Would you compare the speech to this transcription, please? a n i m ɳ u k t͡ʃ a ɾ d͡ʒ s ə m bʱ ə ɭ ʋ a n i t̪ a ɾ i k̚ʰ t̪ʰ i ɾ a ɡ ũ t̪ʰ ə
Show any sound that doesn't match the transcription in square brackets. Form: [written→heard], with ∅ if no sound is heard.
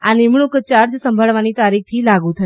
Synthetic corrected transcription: a n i m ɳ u k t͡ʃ a ɾ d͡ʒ s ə m bʱ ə ɭ ʋ a n i t̪ a ɾ i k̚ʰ t̪ʰ i [ɾ→l] a ɡ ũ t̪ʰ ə